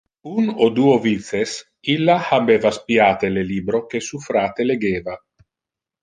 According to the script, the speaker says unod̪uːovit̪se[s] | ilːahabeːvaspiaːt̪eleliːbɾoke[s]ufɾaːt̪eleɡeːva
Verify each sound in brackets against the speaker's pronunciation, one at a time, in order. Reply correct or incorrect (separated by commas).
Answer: correct, correct